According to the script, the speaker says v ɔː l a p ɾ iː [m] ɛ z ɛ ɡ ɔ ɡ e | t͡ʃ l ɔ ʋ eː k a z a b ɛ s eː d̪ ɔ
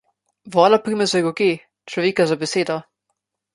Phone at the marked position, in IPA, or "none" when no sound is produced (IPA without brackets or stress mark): m